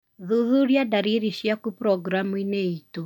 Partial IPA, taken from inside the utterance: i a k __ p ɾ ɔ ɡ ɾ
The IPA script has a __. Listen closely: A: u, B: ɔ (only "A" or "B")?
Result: A